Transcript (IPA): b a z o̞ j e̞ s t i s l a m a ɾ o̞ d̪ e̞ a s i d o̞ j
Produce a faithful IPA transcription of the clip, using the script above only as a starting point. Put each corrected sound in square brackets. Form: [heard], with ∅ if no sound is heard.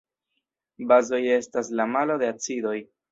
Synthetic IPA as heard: b a z o̞ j e̞ s t [a] s l a m a [l] o̞ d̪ e̞ a [t͡s] i d o̞ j